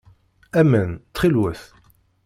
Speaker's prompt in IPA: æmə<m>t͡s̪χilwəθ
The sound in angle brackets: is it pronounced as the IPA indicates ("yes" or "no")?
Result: no